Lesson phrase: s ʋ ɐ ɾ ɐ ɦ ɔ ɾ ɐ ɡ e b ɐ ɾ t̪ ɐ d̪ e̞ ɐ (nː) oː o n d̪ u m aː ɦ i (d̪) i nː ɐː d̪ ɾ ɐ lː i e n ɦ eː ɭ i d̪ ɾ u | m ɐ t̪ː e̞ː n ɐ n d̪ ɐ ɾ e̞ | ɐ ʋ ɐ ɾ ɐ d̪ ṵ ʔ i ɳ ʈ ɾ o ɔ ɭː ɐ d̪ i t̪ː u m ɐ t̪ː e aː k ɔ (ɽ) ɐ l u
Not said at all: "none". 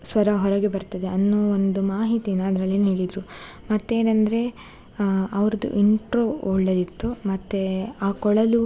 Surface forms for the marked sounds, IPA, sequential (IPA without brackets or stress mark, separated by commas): nː, t̪, ɭ